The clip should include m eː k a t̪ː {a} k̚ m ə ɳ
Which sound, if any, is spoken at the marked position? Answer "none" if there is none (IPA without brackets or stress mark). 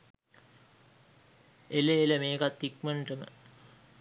i